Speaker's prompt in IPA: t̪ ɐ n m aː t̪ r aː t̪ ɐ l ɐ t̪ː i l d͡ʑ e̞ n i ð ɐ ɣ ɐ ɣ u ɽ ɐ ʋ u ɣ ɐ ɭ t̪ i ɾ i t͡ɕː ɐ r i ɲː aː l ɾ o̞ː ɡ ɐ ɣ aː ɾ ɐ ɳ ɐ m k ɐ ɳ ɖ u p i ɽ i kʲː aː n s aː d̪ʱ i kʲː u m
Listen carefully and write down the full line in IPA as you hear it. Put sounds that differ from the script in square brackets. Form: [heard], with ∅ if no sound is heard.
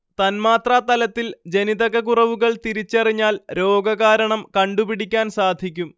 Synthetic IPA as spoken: t̪ ɐ n m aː t̪ r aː t̪ ɐ l ɐ t̪ː i l d͡ʑ e̞ n i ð ɐ ɣ ɐ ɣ u [r] ɐ ʋ u ɣ ɐ ɭ t̪ i ɾ i t͡ɕː ɐ r i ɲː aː l ɾ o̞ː ɡ ɐ ɣ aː ɾ ɐ ɳ ɐ m k ɐ ɳ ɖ u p i ɽ i kʲː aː n s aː d̪ʱ i kʲː u m